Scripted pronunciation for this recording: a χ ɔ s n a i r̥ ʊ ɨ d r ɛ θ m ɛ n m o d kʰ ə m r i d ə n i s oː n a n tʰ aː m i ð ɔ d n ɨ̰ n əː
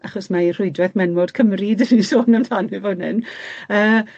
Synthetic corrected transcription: a χ ɔ s m a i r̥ ʊ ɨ d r ɛ θ m ɛ n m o d kʰ ə m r i d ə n i s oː n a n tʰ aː n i v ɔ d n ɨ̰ n əː